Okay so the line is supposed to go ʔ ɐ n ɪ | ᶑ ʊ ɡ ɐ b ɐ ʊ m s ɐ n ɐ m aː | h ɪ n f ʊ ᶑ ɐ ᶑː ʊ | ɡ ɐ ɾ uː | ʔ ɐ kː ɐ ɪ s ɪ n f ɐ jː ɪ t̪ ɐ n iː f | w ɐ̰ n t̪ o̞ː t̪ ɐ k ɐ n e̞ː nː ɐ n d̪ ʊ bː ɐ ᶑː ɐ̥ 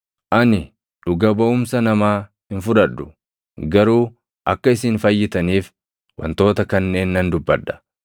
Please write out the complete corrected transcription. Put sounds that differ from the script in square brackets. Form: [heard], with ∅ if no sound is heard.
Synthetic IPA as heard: ʔ ɐ n ɪ | ᶑ ʊ ɡ ɐ b ɐ ʊ m s ɐ n ɐ m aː | h ɪ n f ʊ ᶑ ɐ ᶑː ʊ | ɡ ɐ ɾ uː | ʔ ɐ kː ɐ ɪ s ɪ n f ɐ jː ɪ t̪ ɐ n iː f | w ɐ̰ n t̪ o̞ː t̪ ɐ k ɐ [nː] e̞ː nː ɐ n d̪ ʊ bː ɐ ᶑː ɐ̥